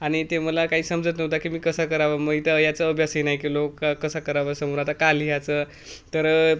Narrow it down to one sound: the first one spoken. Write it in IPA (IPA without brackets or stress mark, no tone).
a